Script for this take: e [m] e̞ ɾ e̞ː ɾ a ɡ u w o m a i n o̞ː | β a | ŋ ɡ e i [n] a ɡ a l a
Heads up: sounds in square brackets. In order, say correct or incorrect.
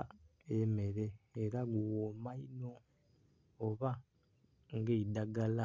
correct, incorrect: d

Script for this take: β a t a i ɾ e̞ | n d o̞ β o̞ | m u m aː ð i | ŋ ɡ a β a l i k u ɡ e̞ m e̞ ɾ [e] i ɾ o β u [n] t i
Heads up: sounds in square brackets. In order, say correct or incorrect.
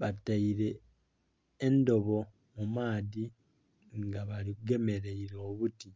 correct, incorrect: none

